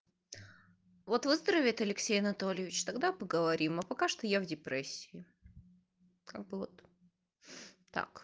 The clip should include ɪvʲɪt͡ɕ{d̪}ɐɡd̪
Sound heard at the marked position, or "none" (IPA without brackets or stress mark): t̪